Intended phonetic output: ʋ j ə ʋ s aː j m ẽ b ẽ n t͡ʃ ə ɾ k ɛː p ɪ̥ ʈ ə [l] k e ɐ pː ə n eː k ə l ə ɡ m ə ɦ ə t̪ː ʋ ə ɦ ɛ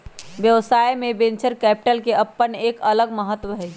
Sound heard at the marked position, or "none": l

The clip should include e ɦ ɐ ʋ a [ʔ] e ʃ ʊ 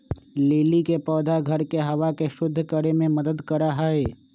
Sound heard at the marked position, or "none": k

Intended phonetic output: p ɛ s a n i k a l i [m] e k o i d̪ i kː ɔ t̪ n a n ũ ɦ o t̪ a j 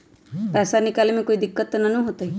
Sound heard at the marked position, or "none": m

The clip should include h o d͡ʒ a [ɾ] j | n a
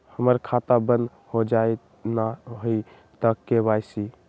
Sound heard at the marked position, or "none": none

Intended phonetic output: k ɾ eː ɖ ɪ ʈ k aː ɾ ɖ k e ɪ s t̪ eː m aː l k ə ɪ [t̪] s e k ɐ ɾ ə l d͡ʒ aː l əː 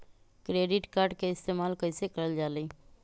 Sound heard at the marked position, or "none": none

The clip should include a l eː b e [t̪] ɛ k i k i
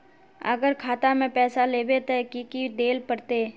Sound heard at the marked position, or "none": t̪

